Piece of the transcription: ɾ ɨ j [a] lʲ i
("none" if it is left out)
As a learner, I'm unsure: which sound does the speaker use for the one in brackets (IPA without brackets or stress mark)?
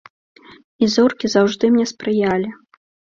a